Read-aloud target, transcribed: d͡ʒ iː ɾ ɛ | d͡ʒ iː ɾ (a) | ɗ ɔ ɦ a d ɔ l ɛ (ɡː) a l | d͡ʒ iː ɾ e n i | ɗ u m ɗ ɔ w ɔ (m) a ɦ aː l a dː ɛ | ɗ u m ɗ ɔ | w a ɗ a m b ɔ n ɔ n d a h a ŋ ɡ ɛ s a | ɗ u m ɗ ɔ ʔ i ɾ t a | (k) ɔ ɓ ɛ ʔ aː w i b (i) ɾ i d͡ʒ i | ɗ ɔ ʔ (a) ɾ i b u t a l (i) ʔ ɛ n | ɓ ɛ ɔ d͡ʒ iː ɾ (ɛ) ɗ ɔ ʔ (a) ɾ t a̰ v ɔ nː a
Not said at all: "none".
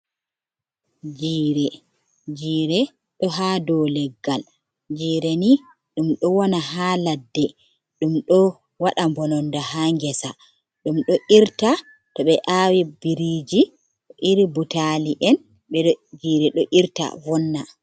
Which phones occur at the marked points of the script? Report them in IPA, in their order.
ɛ, ɡː, n, t, i, i, i, ɛ, i

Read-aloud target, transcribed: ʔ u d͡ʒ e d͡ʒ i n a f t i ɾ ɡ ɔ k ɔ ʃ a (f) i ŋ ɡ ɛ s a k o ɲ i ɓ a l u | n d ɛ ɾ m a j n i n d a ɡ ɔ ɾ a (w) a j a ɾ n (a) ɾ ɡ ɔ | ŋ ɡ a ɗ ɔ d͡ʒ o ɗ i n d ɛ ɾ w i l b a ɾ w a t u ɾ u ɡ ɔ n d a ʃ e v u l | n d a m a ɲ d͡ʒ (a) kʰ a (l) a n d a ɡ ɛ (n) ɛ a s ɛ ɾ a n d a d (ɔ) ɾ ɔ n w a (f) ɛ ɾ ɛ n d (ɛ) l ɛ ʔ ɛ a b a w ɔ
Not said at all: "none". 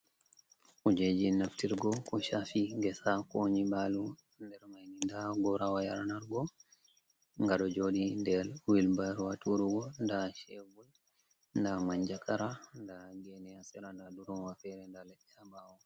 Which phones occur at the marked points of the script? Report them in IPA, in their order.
f, w, a, a, ɾ, n, u, f, a

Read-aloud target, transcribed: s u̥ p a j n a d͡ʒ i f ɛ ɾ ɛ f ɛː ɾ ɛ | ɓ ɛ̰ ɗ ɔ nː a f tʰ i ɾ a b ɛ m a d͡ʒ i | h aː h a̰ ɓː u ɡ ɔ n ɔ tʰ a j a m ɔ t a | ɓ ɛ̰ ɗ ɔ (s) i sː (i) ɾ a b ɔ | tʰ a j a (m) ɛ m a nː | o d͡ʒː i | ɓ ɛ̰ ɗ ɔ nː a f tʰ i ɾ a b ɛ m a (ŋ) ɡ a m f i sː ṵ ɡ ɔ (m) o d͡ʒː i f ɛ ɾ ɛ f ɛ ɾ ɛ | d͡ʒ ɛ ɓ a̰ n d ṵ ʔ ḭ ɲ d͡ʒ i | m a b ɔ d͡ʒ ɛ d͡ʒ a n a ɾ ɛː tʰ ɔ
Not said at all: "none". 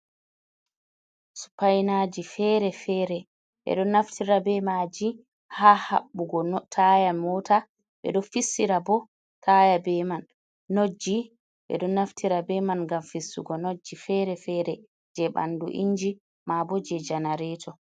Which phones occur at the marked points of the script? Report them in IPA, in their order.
f, i, b, n, n

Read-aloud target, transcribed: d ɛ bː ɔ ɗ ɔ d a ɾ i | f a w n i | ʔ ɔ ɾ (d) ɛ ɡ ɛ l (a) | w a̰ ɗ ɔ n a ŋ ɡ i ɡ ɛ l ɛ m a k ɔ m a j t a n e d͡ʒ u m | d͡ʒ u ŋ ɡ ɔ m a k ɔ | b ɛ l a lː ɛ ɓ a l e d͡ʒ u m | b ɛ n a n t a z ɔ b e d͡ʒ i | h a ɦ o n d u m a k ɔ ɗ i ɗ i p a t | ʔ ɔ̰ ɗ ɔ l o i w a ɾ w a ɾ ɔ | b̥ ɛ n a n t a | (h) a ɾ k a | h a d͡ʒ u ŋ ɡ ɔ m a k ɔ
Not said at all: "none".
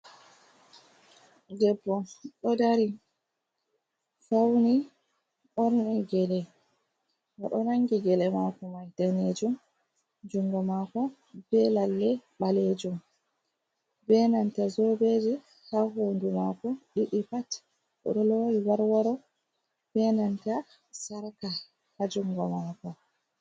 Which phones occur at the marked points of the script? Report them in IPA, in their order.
n, ɛ, s

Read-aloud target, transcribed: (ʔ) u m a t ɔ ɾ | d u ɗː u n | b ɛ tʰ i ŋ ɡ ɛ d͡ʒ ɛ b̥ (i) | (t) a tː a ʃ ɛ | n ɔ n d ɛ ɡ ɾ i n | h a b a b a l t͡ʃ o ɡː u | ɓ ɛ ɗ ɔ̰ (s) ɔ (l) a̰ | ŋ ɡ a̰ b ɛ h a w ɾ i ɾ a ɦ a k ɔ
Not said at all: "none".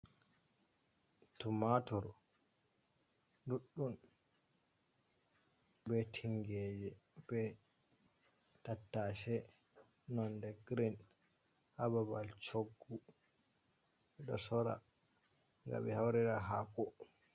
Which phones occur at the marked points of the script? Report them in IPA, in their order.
t, ɛ, t, s, ɾ

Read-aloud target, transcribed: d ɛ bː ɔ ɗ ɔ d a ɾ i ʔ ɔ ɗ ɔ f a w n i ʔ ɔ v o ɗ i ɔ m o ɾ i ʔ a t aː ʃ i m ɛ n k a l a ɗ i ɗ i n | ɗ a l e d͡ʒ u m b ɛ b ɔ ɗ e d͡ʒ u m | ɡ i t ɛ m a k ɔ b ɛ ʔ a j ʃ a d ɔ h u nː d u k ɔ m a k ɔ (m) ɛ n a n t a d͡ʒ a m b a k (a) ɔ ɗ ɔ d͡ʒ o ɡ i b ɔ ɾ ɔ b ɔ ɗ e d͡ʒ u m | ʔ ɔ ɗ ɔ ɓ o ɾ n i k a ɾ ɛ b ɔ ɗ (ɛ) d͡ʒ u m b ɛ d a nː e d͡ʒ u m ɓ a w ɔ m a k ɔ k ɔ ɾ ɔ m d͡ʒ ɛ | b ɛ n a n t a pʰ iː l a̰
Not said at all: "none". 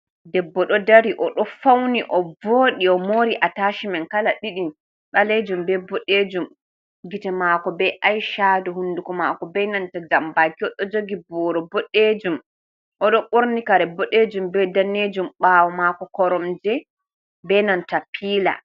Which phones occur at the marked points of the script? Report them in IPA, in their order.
b, i, e

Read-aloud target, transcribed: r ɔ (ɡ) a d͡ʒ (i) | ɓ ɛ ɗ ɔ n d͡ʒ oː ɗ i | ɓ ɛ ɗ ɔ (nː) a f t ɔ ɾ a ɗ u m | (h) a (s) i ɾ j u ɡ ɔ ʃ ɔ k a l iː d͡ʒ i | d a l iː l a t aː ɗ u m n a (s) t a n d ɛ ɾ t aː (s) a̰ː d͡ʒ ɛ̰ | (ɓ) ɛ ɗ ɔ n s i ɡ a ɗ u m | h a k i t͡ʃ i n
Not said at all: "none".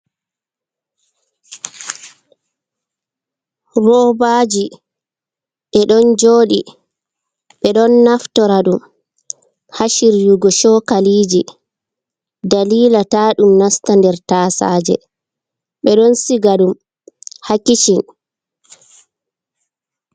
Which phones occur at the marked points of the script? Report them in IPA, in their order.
b, i, nː, h, ʃ, s, s, ɓ

